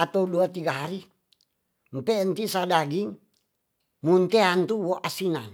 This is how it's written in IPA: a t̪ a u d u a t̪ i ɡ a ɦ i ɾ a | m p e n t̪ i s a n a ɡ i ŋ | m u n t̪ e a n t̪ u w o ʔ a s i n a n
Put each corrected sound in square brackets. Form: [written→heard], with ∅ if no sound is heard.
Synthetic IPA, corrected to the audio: a t̪ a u d u a t̪ i ɡ a ɦ [i→a] ɾ [a→i] | m p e n t̪ i s a [n→d] a ɡ i ŋ | m u n t̪ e a n t̪ u w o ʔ a s i n a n